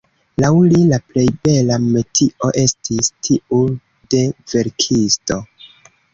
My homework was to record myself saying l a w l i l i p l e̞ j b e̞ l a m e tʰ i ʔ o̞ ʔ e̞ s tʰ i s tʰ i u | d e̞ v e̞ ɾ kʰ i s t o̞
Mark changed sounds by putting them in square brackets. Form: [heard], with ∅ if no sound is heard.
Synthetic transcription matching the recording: l a w l i l [a] p l e̞ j b e̞ l a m e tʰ i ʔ o̞ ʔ e̞ s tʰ i s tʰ i u | d e̞ v e̞ ɾ kʰ i s t o̞